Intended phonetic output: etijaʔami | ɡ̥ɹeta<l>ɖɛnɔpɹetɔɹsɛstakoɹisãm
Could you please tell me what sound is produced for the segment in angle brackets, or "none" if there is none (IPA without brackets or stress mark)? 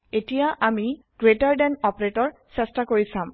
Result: ɹ